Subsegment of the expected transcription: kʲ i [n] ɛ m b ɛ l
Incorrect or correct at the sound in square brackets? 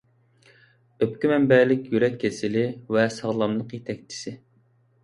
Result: incorrect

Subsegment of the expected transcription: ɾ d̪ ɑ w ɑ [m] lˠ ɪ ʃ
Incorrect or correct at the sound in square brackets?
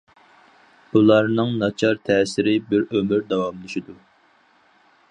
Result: correct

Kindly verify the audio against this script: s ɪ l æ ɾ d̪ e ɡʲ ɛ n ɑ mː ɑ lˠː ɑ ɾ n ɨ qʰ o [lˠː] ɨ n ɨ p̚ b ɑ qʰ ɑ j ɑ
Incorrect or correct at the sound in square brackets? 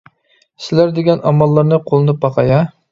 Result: incorrect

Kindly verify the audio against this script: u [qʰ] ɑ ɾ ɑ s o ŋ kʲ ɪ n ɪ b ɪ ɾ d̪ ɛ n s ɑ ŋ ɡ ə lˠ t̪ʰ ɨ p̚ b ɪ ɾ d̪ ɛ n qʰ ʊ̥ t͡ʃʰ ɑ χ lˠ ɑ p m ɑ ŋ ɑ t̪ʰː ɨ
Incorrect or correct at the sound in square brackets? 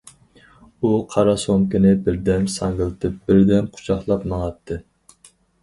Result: correct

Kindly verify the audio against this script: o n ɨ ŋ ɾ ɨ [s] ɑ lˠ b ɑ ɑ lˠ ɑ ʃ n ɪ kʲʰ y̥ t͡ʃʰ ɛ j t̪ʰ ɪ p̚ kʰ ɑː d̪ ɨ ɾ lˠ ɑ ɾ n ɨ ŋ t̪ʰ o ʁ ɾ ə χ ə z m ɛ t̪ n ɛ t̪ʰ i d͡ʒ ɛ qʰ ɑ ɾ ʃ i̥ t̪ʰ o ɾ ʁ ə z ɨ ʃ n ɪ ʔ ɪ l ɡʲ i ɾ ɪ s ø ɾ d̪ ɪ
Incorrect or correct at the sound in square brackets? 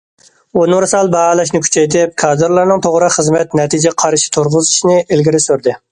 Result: correct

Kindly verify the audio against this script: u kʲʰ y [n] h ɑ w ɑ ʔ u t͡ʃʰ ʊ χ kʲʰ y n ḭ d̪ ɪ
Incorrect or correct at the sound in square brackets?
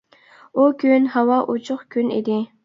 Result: correct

